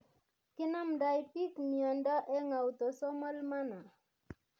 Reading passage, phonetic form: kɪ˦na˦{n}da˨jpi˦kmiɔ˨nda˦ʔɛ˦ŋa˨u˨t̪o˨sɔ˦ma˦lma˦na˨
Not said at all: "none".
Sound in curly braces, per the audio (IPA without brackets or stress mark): m